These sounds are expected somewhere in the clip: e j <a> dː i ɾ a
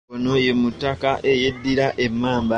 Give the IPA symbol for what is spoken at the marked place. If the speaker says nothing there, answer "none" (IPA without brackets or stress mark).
e